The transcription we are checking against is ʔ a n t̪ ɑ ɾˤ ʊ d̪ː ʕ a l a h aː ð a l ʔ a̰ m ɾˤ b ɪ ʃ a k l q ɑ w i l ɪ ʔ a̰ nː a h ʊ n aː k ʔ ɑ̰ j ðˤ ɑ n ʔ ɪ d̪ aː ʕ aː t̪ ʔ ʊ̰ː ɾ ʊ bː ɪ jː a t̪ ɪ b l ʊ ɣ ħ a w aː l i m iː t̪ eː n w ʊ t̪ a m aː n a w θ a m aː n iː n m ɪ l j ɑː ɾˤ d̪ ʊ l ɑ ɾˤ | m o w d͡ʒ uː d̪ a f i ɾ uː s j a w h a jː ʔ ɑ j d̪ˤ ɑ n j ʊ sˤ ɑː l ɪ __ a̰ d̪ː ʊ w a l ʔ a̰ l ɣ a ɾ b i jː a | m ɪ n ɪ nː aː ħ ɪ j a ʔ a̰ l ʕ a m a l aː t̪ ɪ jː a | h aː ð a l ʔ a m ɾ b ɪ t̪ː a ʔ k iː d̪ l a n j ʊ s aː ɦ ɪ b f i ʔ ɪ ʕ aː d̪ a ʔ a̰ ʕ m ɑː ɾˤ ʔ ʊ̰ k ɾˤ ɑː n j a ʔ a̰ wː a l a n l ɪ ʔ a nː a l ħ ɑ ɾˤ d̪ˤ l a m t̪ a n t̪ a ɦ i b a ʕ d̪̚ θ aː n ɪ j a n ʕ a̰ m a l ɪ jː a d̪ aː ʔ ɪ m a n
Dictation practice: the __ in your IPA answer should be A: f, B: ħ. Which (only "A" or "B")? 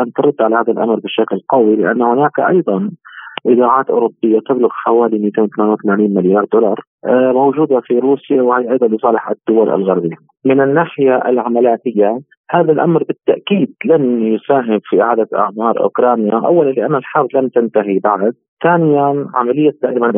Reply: B